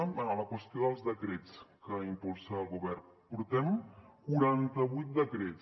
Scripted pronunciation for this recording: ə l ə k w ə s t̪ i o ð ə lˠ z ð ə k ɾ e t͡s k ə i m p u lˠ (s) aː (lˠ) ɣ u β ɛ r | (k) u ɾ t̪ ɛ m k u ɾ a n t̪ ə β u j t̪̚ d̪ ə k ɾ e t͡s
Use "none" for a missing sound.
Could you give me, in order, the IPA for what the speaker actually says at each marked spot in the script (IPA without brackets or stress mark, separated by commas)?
s, lˠ, p